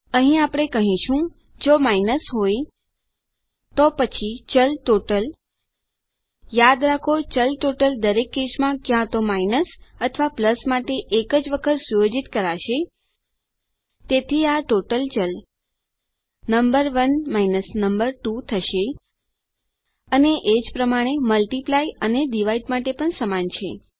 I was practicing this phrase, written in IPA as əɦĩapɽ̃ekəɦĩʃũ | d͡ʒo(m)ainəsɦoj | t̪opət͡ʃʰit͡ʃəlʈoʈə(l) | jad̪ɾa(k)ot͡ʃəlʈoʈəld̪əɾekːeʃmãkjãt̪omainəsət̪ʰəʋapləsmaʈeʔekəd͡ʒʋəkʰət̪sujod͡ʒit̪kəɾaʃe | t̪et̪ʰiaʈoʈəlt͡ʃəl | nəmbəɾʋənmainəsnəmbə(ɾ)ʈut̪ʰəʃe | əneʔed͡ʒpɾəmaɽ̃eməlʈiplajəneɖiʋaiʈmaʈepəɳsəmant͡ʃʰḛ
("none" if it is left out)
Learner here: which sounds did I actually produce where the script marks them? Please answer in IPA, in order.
m, l, kʰ, ɾ

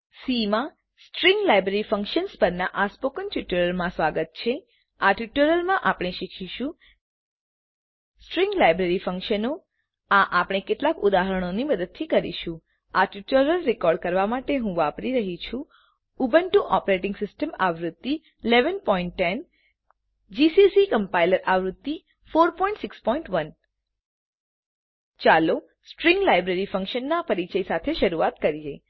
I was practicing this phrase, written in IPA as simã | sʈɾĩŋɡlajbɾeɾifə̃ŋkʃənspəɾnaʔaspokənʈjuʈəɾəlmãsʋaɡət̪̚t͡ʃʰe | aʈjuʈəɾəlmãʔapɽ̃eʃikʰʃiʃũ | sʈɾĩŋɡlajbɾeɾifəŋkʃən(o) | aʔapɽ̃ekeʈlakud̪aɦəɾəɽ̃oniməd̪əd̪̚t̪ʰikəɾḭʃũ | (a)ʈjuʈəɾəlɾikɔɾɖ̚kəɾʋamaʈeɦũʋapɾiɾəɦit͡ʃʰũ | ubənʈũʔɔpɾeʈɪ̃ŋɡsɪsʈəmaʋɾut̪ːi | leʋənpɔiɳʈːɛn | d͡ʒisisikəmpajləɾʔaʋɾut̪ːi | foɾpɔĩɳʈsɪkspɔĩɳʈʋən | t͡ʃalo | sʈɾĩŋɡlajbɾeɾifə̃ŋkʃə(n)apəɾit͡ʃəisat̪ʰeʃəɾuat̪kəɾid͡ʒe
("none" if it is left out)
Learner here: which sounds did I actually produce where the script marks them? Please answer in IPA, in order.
o, a, nː

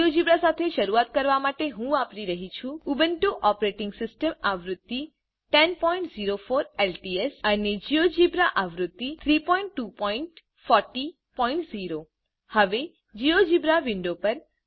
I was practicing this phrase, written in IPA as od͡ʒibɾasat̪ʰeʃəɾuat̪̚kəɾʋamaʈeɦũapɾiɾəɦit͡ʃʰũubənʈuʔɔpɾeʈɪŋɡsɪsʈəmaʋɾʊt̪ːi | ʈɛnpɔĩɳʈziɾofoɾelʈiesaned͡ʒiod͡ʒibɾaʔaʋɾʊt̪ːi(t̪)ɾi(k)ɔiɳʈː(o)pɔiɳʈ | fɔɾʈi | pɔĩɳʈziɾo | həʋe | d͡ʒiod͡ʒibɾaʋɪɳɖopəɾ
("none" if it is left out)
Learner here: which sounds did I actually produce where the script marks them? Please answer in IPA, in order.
t̪ʰ, p, u

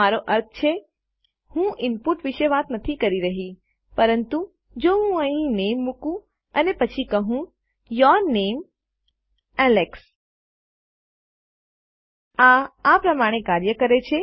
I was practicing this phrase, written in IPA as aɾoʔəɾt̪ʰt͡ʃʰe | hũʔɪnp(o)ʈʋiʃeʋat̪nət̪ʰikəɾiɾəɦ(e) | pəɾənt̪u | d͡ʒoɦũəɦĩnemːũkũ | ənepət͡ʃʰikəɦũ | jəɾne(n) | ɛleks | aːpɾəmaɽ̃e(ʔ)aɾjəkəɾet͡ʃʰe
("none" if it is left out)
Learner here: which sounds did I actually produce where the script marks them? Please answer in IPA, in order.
u, i, m, k

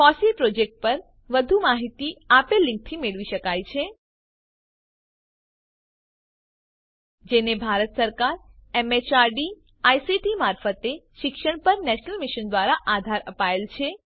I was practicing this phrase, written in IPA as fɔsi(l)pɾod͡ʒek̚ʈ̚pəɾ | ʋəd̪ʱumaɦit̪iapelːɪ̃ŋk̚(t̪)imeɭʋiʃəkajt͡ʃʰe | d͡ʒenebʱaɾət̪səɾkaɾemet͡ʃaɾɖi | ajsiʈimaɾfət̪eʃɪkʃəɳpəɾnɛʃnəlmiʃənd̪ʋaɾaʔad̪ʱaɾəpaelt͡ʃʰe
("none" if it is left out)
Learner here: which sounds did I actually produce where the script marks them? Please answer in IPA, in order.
l, t̪ʰ

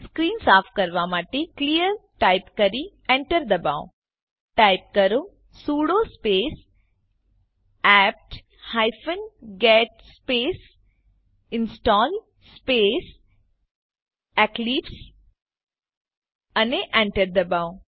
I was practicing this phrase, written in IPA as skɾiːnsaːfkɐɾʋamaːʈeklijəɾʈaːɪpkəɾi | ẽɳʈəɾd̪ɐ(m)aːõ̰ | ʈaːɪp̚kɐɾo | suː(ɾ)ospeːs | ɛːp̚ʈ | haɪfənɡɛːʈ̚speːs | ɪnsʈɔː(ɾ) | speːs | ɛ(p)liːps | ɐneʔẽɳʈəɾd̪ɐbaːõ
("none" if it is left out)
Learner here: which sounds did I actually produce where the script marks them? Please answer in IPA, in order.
b, ɽ, l, k

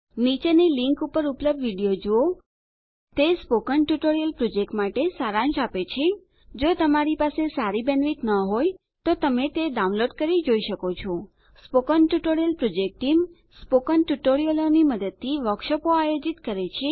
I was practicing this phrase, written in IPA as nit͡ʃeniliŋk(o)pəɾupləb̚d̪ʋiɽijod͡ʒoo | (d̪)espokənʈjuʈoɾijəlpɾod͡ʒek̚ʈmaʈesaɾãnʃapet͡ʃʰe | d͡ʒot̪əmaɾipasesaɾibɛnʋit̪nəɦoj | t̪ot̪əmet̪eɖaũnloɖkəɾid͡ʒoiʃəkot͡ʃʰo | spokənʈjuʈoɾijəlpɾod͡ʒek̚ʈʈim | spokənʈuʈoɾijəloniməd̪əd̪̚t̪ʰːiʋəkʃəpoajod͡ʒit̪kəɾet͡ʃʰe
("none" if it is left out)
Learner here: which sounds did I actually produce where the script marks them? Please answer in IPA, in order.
u, t̪

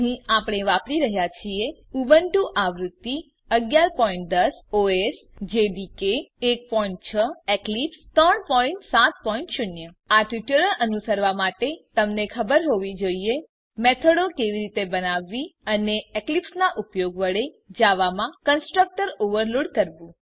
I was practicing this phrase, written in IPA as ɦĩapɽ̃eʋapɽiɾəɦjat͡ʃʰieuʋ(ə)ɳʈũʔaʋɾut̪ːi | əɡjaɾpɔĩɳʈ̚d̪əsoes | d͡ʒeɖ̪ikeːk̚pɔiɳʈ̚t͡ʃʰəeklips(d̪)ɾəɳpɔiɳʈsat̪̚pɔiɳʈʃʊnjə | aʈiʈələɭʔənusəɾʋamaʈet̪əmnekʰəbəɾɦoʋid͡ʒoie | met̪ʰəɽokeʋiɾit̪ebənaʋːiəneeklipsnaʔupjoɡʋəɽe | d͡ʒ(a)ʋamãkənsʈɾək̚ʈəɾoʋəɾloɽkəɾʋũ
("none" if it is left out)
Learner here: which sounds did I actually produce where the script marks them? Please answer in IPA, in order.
ə, t̪, a

